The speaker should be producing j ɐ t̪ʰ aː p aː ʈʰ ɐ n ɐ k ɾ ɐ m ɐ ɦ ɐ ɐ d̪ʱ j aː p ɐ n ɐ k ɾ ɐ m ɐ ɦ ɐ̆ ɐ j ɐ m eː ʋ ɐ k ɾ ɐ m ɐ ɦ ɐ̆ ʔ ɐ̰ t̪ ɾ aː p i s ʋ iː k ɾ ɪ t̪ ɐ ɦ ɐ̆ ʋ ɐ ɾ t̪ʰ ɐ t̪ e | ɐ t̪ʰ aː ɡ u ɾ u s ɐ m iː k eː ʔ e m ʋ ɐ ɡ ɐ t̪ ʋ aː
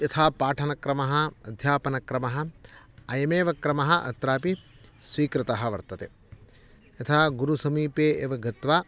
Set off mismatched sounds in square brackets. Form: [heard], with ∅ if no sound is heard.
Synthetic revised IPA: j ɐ t̪ʰ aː p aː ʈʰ ɐ n ɐ k ɾ ɐ m ɐ ɦ ɐ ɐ d̪ʱ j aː p ɐ n ɐ k ɾ ɐ m ɐ ɦ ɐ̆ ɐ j ɐ m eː ʋ ɐ k ɾ ɐ m ɐ ɦ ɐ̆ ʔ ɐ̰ t̪ ɾ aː p i s ʋ iː k ɾ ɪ t̪ ɐ ɦ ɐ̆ ʋ ɐ ɾ [t̪] ɐ t̪ e | ɐ t̪ʰ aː ɡ u ɾ u s ɐ m iː [p] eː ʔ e [∅] ʋ ɐ ɡ ɐ t̪ ʋ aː